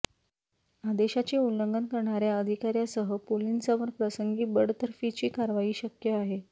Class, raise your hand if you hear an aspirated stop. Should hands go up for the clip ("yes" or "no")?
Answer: no